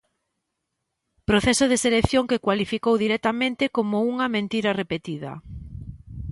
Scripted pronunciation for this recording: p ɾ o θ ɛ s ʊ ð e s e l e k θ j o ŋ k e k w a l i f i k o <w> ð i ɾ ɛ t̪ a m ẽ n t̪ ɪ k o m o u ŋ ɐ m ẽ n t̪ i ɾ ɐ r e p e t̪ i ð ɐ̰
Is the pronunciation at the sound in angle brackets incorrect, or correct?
correct